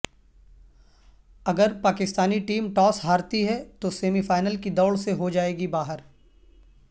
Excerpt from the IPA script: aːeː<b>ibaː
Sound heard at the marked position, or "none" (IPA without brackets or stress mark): ɡ